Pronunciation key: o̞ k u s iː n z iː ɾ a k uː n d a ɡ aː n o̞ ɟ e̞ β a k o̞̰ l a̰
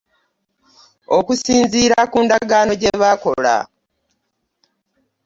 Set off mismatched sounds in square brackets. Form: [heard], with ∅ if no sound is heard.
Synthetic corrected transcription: o̞ k u s iː n z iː ɾ a k uː n d a ɡ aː n o̞ ɟ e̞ β a k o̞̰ l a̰